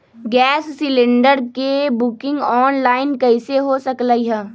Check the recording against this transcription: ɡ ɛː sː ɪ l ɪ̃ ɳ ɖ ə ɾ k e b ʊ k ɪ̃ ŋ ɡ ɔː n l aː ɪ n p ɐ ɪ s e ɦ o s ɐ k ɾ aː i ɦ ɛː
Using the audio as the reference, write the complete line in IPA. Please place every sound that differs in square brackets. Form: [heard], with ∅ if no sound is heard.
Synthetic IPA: ɡ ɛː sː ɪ l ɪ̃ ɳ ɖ ə ɾ k e b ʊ k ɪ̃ ŋ ɡ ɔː n l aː ɪ n [k] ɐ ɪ s e ɦ o s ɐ k [l] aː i ɦ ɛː